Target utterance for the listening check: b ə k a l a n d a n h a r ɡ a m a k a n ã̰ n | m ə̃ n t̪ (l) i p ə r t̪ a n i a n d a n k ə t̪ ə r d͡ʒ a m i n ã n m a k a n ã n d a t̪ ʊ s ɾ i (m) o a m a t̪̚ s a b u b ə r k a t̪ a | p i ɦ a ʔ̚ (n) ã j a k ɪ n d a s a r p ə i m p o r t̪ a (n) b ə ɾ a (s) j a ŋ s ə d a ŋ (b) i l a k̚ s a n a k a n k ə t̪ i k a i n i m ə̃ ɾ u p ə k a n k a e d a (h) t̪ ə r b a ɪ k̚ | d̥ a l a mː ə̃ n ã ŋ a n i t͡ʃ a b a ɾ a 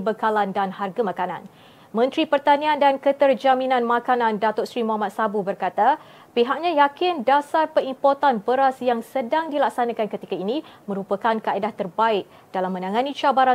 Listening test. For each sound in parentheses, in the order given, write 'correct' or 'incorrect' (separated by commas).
incorrect, correct, incorrect, correct, correct, incorrect, correct